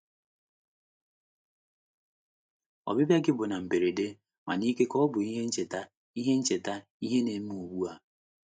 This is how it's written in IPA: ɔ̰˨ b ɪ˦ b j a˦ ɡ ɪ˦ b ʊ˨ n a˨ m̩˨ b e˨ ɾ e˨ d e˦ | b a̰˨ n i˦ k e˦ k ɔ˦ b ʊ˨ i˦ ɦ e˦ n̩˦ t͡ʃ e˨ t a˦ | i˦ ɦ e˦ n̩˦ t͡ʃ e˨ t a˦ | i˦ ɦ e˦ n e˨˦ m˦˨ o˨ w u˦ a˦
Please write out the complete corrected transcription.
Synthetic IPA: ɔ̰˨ b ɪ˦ b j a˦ ɡ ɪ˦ b ʊ˨ n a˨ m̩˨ b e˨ ɾ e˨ d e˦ | m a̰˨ n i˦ k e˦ k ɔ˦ b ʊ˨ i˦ ɦ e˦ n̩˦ t͡ʃ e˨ t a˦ | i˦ ɦ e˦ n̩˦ t͡ʃ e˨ t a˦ | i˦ ɦ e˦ n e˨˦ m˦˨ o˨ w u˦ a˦